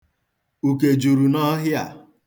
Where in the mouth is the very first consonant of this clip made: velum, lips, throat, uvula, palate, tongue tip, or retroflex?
velum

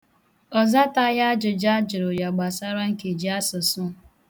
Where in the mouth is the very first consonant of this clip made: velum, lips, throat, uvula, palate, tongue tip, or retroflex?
tongue tip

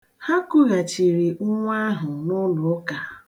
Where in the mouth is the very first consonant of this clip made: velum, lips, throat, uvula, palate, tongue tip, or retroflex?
throat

